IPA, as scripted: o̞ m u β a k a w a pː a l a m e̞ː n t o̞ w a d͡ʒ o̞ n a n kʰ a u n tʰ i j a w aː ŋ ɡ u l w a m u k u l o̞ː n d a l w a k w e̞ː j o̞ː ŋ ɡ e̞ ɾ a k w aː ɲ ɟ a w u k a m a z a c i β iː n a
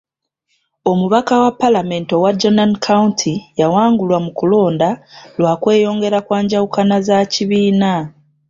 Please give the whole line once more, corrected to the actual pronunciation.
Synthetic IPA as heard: o̞ m u β a k a w a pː a l a m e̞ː n t o̞ w a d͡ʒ o̞ n a n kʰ a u n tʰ i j a w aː ŋ ɡ u l w a m u k u l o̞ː n d a l w a k w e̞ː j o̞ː ŋ ɡ e̞ ɾ a k w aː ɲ ɟ a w u k a n a z a c i β iː n a